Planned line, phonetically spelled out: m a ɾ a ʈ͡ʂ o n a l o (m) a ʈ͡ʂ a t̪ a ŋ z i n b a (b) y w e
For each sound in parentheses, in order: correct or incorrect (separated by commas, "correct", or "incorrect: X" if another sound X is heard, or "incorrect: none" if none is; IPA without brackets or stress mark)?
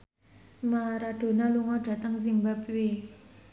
incorrect: ŋ, incorrect: p